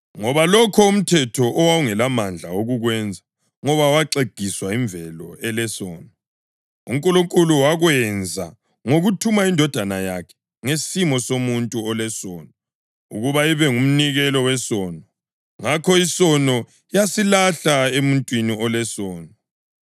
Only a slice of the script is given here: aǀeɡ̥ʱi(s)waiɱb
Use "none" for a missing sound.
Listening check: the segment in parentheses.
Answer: s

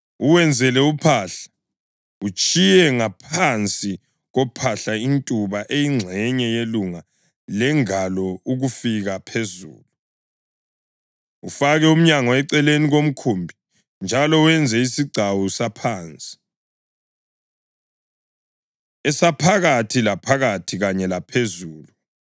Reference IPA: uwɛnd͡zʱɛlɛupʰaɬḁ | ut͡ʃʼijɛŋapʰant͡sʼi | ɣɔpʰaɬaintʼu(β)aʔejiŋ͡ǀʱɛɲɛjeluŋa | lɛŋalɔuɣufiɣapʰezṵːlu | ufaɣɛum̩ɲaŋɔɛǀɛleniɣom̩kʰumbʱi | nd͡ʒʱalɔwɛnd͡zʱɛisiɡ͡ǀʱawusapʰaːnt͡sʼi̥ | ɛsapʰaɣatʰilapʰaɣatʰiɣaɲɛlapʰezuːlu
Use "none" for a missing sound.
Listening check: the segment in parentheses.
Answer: β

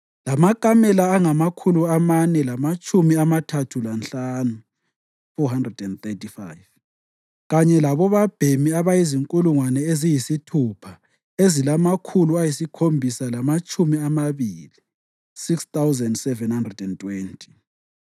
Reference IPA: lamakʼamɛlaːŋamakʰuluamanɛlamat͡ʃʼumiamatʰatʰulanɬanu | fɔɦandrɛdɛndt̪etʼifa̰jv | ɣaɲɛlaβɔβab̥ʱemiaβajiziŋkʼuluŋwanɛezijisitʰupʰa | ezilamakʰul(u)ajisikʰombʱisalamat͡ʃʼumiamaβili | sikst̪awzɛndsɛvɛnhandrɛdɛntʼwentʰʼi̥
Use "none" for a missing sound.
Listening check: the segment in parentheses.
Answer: u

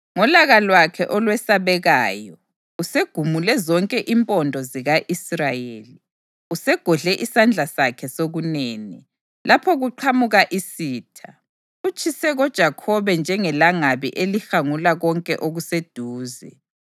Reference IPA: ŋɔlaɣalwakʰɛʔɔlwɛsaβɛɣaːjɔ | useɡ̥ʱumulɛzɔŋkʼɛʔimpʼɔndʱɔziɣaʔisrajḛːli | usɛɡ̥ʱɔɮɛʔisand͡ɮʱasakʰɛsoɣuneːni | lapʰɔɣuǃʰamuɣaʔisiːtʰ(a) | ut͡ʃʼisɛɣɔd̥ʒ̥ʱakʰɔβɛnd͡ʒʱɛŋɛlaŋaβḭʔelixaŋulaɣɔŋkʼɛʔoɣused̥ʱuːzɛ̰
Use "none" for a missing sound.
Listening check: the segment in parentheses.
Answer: a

